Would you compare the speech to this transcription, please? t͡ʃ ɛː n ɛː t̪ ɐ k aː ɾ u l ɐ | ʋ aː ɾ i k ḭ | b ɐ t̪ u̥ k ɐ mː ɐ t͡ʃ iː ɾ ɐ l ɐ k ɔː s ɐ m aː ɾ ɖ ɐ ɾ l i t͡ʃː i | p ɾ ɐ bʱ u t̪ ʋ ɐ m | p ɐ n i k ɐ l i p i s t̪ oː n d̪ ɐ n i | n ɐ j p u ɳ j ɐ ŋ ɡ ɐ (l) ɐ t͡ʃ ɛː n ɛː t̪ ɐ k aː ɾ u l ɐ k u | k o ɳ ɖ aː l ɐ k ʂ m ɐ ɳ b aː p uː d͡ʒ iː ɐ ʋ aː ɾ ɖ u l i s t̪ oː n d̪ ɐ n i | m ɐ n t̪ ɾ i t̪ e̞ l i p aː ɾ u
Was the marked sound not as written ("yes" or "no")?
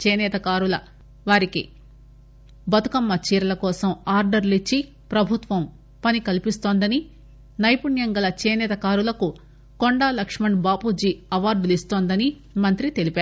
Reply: no